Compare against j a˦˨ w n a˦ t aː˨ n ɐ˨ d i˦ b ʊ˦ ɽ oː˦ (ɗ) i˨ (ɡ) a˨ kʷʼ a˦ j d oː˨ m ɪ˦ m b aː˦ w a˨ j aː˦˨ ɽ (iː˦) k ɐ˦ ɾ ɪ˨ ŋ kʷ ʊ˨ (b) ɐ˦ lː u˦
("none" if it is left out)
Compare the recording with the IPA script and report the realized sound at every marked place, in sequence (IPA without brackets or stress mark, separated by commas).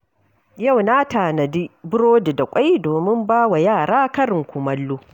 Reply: d, d, aː˦, m